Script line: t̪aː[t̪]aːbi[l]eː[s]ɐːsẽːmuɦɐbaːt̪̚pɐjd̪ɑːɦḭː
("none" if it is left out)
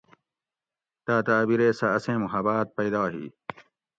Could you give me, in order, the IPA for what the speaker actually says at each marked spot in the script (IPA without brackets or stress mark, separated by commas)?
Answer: t̪, ɾ, s